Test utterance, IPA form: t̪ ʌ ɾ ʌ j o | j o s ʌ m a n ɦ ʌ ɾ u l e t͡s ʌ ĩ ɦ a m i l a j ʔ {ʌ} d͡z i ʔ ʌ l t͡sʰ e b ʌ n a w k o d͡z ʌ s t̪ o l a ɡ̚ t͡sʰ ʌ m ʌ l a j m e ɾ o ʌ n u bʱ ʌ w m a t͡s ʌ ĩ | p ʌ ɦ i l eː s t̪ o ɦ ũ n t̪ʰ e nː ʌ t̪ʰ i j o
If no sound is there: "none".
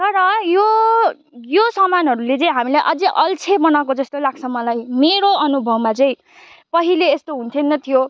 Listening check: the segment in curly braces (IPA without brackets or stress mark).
ʌ